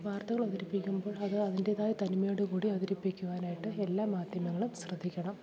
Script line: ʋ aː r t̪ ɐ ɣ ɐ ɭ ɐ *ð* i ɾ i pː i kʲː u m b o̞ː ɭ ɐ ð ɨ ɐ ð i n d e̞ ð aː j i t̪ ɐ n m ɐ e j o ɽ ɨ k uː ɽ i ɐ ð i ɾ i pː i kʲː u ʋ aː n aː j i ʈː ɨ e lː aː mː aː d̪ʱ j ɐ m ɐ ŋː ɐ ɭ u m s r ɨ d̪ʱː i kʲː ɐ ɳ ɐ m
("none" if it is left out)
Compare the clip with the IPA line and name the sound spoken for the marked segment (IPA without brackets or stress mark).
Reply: ð